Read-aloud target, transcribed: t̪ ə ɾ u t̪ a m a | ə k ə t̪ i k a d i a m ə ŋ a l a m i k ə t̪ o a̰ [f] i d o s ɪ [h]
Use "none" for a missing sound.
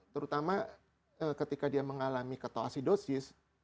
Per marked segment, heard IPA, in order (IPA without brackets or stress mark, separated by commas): s, s